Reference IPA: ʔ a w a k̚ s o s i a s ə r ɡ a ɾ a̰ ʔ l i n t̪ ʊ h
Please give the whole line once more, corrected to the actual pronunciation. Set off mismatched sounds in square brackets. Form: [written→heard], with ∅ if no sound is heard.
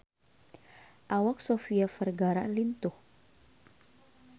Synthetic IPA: ʔ a w a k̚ s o [s→f] i a [s→f] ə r ɡ a ɾ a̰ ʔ l i n t̪ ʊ h